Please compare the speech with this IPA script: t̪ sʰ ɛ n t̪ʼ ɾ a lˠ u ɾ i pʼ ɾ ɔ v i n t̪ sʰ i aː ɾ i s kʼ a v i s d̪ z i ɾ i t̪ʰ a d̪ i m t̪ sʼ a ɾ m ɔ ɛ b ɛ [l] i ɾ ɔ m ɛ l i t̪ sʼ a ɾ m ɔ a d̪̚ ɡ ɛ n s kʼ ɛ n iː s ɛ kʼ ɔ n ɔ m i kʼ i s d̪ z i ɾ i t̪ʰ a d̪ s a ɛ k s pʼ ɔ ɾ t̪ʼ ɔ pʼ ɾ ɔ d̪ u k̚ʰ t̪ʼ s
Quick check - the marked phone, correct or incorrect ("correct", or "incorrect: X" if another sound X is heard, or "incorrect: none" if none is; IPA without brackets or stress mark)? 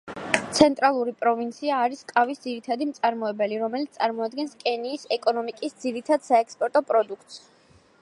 correct